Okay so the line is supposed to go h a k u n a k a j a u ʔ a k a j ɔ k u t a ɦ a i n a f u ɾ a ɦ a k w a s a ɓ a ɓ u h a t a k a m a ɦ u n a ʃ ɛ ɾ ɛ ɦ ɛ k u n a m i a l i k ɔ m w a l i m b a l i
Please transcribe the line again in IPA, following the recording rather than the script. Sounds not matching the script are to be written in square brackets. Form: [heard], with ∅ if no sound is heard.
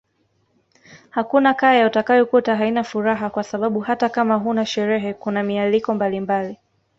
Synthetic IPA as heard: h a k u n a k a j a u [t] a k a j ɔ k u t a ɦ a i n a f u ɾ a ɦ a k w a s a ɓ a ɓ u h a t a k a m a ɦ u n a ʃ ɛ ɾ ɛ ɦ ɛ k u n a m i a l i k ɔ m [b] a l i m b a l i